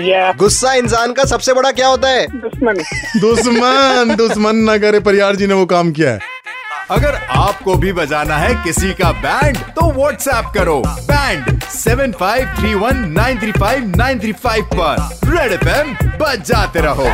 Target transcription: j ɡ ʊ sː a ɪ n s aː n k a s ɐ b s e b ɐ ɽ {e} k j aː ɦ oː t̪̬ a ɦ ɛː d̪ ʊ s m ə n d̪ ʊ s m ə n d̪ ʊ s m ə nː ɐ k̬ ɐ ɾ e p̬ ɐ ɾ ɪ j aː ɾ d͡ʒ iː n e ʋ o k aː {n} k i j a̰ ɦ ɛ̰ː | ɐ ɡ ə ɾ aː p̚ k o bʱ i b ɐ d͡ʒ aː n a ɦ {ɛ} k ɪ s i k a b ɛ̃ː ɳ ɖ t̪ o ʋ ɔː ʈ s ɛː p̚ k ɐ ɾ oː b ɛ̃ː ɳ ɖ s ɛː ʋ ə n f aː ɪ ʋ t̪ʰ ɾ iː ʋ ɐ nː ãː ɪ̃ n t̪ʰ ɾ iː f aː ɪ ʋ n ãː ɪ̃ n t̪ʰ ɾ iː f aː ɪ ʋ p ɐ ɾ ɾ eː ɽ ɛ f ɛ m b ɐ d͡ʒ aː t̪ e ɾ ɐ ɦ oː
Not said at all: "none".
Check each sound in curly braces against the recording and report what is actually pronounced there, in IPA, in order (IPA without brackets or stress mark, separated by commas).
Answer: a, m, ɛ